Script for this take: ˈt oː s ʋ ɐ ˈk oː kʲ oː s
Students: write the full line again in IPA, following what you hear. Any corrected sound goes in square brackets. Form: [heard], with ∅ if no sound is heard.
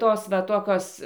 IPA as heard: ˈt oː s ʋ ɐ [ˈt] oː kʲ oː s